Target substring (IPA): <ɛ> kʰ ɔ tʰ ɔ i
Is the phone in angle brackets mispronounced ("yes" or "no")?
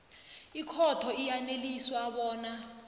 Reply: yes